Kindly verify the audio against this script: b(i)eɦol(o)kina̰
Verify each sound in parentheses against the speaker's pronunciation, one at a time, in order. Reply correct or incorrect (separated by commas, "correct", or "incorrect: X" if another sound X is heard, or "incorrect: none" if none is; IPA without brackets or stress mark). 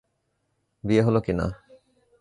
correct, correct